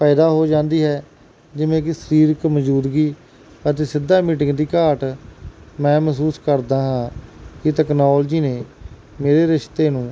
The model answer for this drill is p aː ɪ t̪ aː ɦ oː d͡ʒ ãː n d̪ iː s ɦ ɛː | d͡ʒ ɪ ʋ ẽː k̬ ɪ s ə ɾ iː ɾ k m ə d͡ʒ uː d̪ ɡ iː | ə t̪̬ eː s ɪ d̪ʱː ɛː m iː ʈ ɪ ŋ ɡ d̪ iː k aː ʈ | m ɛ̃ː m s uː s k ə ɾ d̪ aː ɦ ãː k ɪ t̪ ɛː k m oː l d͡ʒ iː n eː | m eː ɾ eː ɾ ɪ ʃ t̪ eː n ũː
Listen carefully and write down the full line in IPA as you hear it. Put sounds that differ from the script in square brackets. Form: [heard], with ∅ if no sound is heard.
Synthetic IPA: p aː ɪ [d̪] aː ɦ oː d͡ʒ ãː n d̪ iː [∅] ɦ ɛː | d͡ʒ ɪ ʋ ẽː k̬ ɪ s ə ɾ iː ɾ k m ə d͡ʒ uː d̪ ɡ iː | ə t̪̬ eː s ɪ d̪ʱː [aː] m iː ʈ ɪ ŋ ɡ d̪ iː k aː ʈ | m ɛ̃ː m s uː s k ə ɾ d̪ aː ɦ ãː k ɪ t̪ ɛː k [n] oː l d͡ʒ iː n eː | m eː ɾ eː ɾ ɪ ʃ t̪ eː n ũː